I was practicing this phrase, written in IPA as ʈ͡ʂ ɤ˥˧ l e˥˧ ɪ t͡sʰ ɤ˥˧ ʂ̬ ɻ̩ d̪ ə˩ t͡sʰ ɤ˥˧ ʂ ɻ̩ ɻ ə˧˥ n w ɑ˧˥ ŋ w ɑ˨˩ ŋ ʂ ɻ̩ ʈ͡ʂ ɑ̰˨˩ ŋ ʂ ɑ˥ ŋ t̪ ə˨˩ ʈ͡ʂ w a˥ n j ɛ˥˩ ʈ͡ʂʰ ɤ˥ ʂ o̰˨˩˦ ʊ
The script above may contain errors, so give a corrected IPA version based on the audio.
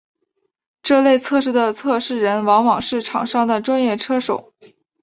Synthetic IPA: ʈ͡ʂ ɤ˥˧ l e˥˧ ɪ t͡sʰ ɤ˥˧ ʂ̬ ɻ̩ d̪ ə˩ t͡sʰ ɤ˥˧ ʂ ɻ̩ ɻ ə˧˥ n w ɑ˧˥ ŋ w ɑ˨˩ ŋ ʂ ɻ̩ ʈ͡ʂʰ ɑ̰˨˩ ŋ ʂ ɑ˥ ŋ d̪ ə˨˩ ʈ͡ʂ w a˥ n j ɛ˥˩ ʈ͡ʂʰ ɤ˥ ʂ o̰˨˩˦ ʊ